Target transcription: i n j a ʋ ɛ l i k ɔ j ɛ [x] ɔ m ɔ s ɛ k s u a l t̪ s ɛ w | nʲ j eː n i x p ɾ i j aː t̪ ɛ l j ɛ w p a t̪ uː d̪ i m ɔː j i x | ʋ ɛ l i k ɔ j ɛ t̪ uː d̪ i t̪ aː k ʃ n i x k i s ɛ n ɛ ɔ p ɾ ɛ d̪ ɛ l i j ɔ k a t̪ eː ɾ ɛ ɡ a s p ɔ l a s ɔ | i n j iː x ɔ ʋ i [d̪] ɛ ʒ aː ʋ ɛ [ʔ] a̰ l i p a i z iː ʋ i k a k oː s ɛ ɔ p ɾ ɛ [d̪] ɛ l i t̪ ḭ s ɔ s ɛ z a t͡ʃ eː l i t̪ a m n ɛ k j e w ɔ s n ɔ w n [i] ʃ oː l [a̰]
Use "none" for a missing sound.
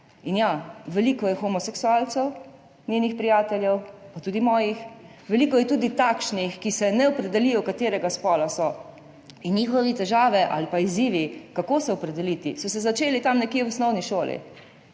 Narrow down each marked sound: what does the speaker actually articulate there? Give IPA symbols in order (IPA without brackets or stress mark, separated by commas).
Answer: x, t̪, ʔ, d̪, i, ḭ